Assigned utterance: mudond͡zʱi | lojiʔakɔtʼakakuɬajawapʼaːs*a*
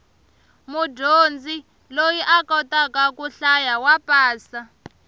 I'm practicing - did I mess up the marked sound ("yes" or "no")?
no